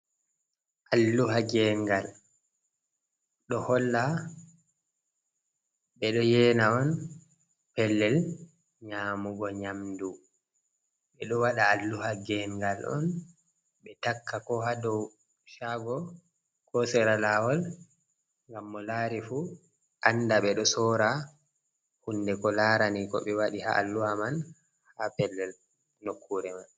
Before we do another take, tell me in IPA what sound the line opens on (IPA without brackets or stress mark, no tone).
ʔ